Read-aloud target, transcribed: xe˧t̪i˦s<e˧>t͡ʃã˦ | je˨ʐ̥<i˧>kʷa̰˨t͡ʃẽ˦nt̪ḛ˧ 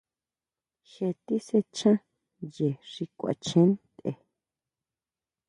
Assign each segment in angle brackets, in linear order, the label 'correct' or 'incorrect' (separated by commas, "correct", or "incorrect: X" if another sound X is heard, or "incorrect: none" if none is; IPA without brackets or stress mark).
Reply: correct, correct